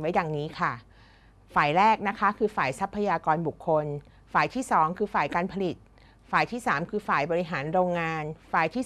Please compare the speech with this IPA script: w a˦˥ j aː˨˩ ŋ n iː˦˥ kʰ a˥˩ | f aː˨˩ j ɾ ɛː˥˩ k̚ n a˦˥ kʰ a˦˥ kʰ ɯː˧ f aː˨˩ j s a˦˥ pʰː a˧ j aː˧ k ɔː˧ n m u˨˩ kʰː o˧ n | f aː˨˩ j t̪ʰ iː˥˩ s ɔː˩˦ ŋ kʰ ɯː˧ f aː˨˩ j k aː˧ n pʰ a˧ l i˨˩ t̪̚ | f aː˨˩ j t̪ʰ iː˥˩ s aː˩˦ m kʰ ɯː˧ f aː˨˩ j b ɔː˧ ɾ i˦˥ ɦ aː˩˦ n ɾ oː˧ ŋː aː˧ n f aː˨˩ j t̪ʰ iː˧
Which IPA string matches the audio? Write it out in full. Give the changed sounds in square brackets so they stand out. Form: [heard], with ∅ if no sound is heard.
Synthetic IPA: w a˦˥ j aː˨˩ ŋ n iː˦˥ kʰ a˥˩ | f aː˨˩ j ɾ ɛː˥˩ k̚ n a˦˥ kʰ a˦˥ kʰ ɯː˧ f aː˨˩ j s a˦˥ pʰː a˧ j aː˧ k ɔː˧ n [b] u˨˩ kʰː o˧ n | f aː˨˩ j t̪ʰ iː˥˩ s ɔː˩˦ ŋ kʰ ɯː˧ f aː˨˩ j k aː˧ n pʰ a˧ l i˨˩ t̪̚ | f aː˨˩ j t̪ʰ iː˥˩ s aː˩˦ m kʰ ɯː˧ f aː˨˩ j b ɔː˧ ɾ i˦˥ ɦ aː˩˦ n ɾ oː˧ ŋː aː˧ n f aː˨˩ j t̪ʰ [iː˥˩]